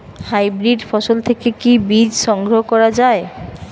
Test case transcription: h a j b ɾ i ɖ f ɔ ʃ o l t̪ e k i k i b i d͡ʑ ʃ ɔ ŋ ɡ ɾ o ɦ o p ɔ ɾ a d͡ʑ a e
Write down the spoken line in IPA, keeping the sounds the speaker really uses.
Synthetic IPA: h a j b ɾ i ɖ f ɔ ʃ o l t̪ʰ e k e k i b i d͡ʑ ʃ ɔ ŋ ɡ ɾ o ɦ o k ɔ ɾ a d͡ʑ a e